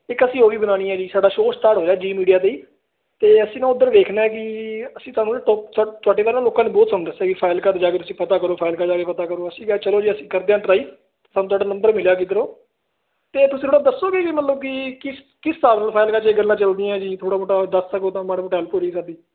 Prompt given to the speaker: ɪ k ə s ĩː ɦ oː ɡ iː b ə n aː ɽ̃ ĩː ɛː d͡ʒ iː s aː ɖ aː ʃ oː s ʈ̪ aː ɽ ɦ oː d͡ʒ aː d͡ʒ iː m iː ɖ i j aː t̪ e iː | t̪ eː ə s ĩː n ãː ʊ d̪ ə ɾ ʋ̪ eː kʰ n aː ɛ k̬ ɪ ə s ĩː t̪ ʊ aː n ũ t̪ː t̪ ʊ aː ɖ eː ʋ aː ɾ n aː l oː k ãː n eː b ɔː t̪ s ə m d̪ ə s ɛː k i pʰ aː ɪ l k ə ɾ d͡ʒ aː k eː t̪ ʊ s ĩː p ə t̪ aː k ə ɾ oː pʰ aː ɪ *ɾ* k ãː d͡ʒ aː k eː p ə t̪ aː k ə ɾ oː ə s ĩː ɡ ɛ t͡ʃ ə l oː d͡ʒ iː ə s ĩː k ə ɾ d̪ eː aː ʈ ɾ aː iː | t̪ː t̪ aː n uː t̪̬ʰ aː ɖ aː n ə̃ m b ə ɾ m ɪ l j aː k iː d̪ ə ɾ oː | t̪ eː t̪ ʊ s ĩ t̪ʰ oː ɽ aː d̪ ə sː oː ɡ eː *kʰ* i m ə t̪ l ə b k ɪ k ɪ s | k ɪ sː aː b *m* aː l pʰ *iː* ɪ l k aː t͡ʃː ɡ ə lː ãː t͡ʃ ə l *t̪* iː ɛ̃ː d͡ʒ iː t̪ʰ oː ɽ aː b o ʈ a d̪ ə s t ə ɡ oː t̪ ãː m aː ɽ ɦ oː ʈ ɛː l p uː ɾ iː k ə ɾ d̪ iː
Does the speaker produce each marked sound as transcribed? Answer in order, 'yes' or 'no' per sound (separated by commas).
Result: no, no, no, no, no